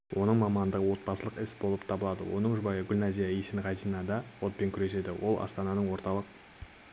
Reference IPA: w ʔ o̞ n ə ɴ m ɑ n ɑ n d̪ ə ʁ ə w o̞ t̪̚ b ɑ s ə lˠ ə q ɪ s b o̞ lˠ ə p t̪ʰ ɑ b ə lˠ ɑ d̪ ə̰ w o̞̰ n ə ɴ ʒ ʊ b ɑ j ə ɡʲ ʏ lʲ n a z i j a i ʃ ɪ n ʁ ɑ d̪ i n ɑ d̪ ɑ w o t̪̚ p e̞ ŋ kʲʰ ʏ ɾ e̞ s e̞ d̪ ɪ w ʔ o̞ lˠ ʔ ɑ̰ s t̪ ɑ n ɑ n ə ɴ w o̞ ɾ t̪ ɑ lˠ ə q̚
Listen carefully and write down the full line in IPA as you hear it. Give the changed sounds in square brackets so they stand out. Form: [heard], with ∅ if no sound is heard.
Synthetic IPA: w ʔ o̞ n ə ɴ m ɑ [m] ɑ n d̪ ə ʁ ə w o̞ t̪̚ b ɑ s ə lˠ ə q ɪ s b o̞ lˠ ə p t̪ʰ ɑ b ə lˠ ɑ d̪ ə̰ w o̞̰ n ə ɴ ʒ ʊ b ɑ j ə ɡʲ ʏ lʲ n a z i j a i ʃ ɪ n ʁ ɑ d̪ i n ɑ d̪ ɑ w o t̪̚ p e̞ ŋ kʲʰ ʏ ɾ e̞ s e̞ d̪ ɪ w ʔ o̞ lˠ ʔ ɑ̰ s t̪ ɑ n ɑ n ə ɴ w o̞ ɾ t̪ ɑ lˠ ə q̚